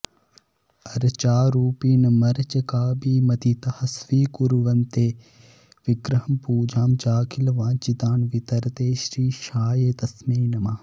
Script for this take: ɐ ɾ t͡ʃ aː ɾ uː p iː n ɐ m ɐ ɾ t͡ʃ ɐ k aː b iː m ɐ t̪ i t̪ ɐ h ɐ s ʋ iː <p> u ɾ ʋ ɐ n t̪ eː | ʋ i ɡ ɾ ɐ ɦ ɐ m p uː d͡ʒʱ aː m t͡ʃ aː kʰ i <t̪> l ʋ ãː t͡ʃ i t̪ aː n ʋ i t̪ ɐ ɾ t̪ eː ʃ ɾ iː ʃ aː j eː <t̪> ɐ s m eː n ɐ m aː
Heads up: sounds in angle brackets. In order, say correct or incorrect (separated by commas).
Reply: incorrect, incorrect, correct